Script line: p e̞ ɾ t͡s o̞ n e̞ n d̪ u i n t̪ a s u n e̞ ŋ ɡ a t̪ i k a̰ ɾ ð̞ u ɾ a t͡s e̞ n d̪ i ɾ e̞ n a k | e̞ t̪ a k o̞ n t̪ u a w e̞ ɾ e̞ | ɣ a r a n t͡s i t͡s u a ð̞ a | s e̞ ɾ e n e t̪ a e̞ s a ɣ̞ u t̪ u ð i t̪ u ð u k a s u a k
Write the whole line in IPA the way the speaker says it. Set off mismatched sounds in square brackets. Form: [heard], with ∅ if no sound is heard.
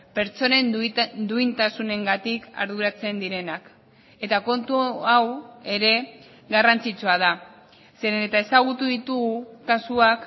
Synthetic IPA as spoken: p e̞ ɾ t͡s o̞ n e̞ n d̪ u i n t̪ a s u n e̞ ŋ ɡ a t̪ i k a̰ ɾ ð̞ u ɾ a t͡s e̞ n d̪ i ɾ e̞ n a k | e̞ t̪ a k o̞ n t̪ u a w e̞ ɾ e̞ | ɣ a r a n t͡s i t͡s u a ð̞ a | s e̞ ɾ e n e t̪ a e̞ s a ɣ̞ u t̪ u ð i t̪ u [ɣ] u k a s u a k

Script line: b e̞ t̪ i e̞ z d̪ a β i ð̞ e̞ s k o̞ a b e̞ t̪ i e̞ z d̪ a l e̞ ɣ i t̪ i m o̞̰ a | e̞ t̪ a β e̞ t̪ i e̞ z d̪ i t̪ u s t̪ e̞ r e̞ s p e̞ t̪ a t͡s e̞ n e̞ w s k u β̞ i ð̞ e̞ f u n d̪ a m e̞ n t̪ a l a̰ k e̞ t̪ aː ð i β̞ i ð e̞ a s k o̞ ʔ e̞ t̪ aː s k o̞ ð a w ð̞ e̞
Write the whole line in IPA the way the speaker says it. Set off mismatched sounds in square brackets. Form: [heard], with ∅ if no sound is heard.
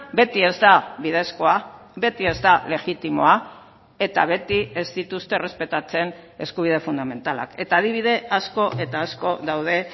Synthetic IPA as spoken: b e̞ t̪ i e̞ z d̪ a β i ð̞ e̞ s k o̞ a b e̞ t̪ i e̞ z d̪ a l e̞ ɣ i t̪ i m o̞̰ a | e̞ t̪ a β e̞ t̪ i e̞ z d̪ i t̪ u s t̪ e̞ r e̞ s p e̞ t̪ a t͡s e̞ n e̞ [∅] s k u β̞ i ð̞ e̞ f u n d̪ a m e̞ n t̪ a l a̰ k e̞ t̪ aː ð i β̞ i ð e̞ a s k o̞ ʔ e̞ t̪ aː s k o̞ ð a w ð̞ e̞

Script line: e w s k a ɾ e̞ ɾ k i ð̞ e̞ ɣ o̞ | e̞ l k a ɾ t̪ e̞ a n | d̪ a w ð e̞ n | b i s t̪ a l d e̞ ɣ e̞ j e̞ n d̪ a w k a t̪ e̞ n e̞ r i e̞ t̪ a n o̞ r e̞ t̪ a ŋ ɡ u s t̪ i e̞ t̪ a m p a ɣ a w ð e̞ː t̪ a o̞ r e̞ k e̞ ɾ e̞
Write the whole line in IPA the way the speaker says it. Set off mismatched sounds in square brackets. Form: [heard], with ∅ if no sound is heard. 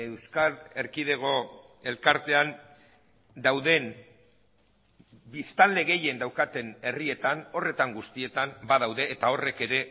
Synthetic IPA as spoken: e w s k a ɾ e̞ ɾ k i ð̞ e̞ ɣ o̞ | e̞ l k a ɾ t̪ e̞ a n | d̪ a w ð e̞ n | b i s t̪ a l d e̞ ɣ e̞ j e̞ n d̪ a w k a t̪ e̞ n e̞ r i e̞ t̪ a n o̞ r e̞ t̪ a ŋ ɡ u s t̪ i e̞ t̪ a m [b] a [ð] a w ð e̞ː t̪ a o̞ r e̞ k e̞ ɾ e̞

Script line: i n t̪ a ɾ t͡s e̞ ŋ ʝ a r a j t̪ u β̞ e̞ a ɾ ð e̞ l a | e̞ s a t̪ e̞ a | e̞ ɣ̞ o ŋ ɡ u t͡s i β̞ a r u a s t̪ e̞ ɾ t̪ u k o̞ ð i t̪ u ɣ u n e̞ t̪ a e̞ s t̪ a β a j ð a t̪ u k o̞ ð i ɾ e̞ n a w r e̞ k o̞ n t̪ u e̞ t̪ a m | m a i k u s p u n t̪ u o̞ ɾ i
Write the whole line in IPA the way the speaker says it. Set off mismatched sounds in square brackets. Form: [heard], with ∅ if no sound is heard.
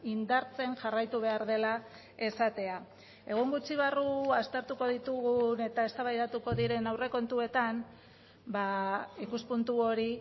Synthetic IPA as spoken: i n [d̪] a ɾ t͡s e̞ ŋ ʝ a r a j t̪ u β̞ e̞ a ɾ ð e̞ l a | e̞ s a t̪ e̞ a | e̞ ɣ̞ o ŋ ɡ u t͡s i β̞ a r u a s t̪ e̞ ɾ t̪ u k o̞ ð i t̪ u ɣ u n e̞ t̪ a e̞ s t̪ a β a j ð a t̪ u k o̞ ð i ɾ e̞ n a w r e̞ k o̞ n t̪ u e̞ t̪ a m | [b] a i k u s p u n t̪ u o̞ ɾ i

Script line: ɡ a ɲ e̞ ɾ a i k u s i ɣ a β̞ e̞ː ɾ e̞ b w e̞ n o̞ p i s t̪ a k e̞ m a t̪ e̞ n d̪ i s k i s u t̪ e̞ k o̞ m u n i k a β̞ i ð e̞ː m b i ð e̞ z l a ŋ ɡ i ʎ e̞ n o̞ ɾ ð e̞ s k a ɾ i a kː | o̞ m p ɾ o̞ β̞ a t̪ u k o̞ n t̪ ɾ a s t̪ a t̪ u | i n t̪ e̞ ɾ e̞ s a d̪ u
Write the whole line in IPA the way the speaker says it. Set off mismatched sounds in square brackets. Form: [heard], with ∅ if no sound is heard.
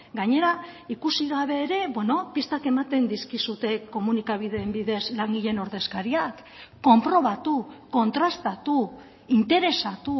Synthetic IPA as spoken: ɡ a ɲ e̞ ɾ a i k u s i ɣ a β̞ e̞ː ɾ e̞ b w e̞ n o̞ p i s t̪ a k e̞ m a t̪ e̞ n d̪ i s k i s u t̪ e̞ k o̞ m u n i k a β̞ i ð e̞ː m b i ð e̞ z l a ŋ ɡ i ʎ e̞ n o̞ ɾ ð e̞ s k a ɾ i a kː | o̞ m p ɾ o̞ β̞ a t̪ u k o̞ n t̪ ɾ a s t̪ a t̪ u | i n t̪ e̞ ɾ e̞ s a [t̪] u

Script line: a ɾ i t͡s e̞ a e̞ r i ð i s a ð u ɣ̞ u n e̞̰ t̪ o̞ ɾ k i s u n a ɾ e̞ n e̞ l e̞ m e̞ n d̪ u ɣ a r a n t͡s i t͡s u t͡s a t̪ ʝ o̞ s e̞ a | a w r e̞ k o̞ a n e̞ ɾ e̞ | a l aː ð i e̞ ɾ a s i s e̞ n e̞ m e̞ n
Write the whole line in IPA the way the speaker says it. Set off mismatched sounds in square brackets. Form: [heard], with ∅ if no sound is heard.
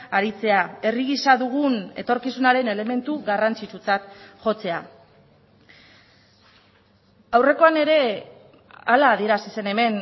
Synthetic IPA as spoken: a ɾ i t͡s e̞ a e̞ r i [ɣ] i s a ð u ɣ̞ u n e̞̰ t̪ o̞ ɾ k i s u n a ɾ e̞ n e̞ l e̞ m e̞ n [t̪] u ɣ a r a n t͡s i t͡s u t͡s a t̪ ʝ o̞ [t͡s] e̞ a | a w r e̞ k o̞ a n e̞ ɾ e̞ | a l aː ð i e̞ ɾ a s i s e̞ n e̞ m e̞ n

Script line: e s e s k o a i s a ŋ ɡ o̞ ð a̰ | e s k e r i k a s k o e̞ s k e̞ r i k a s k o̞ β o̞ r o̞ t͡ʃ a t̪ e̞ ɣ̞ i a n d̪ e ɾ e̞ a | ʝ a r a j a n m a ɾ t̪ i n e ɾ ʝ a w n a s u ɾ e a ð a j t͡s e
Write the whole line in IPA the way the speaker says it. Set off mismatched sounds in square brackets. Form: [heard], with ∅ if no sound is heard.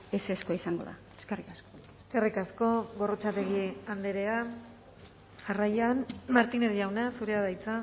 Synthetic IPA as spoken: e s e s k o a i s a ŋ ɡ o̞ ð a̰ | e s k e r i k a s k o e̞ s k e̞ r i k a s k o̞ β o̞ r o̞ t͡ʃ a t̪ e̞ ɣ̞ i a n d̪ e ɾ e̞ a | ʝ a r a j a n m a ɾ t̪ i n e ɾ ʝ a w n a s u ɾ e a ð a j t͡s [a]

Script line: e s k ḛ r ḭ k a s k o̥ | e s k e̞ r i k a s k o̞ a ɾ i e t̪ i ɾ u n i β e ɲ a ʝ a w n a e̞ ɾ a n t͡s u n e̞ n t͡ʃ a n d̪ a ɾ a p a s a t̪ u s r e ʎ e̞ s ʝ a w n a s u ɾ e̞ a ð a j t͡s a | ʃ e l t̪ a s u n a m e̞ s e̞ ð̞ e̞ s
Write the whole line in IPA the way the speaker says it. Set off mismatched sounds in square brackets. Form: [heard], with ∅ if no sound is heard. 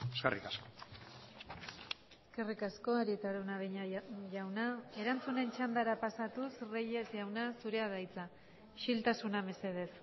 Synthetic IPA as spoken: e s k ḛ r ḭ k a s k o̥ | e s k e̞ r i k a s k o̞ a ɾ i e t̪ [a] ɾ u n [a] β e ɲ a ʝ a w n a e̞ ɾ a n t͡s u n e̞ n t͡ʃ a n d̪ a ɾ a p a s a t̪ u s r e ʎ e̞ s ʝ a w n a s u ɾ e̞ a ð a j t͡s a | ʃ [i] l t̪ a s u n a m e̞ s e̞ ð̞ e̞ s

